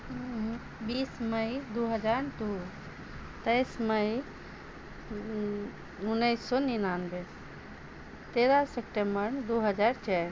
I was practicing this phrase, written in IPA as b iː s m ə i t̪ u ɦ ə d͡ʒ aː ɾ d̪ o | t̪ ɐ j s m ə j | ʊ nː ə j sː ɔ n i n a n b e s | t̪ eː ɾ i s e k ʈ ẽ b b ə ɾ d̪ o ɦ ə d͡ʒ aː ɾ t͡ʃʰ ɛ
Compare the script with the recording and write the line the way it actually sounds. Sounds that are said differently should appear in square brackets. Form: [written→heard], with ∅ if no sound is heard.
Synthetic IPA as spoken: b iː s m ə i [t̪→d̪] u ɦ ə d͡ʒ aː ɾ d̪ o | t̪ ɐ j s m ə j | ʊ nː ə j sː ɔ n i n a n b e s | t̪ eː ɾ [i→a] s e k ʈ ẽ [b→m] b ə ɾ d̪ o ɦ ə d͡ʒ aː ɾ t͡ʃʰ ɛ